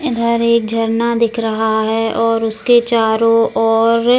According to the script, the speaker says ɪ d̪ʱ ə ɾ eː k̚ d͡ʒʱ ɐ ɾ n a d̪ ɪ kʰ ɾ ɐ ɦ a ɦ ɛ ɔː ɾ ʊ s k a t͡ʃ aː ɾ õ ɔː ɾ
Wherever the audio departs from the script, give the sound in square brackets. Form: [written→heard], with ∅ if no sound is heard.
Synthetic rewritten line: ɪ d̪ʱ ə ɾ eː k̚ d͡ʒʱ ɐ ɾ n a d̪ ɪ kʰ ɾ ɐ ɦ a ɦ ɛ ɔː ɾ ʊ s k [a→e] t͡ʃ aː ɾ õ ɔː ɾ

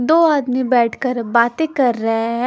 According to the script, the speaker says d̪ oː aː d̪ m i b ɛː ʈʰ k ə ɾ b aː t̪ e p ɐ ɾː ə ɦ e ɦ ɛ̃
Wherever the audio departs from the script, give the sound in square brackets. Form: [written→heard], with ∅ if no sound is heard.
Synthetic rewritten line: d̪ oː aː d̪ m i b ɛː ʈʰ k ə ɾ b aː t̪ e [p→k] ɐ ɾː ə ɦ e ɦ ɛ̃

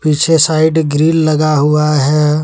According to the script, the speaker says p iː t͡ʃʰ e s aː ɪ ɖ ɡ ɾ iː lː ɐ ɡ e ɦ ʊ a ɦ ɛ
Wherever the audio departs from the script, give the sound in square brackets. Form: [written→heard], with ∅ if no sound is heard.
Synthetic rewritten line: p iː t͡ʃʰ e s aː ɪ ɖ ɡ ɾ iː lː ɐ ɡ [e→a] ɦ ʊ a ɦ ɛ

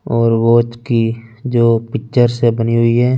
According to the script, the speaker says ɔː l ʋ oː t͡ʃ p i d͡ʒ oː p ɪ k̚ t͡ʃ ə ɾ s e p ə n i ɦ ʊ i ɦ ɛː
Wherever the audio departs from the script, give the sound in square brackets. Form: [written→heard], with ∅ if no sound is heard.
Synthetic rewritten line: ɔː [l→ɾ] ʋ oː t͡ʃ [p→k] i d͡ʒ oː p ɪ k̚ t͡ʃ ə ɾ s e [p→b] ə n i ɦ ʊ i ɦ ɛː

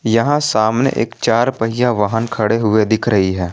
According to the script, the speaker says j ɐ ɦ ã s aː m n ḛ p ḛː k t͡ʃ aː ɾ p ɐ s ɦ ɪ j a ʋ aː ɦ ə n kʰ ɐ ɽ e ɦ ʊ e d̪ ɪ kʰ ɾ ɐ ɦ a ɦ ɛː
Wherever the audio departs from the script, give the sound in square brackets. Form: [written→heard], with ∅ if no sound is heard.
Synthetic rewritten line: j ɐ ɦ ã s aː m n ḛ [p→ʔ] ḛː k t͡ʃ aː ɾ p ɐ [s→∅] ɦ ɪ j a ʋ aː ɦ ə n kʰ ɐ ɽ e ɦ ʊ e d̪ ɪ kʰ ɾ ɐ ɦ [a→i] ɦ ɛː

